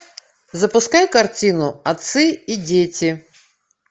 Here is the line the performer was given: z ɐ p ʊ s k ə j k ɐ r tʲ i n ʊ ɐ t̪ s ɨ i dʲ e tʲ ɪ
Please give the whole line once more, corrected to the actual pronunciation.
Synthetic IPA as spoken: z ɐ p ʊ s k a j k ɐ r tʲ i n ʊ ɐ t̪ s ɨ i dʲ e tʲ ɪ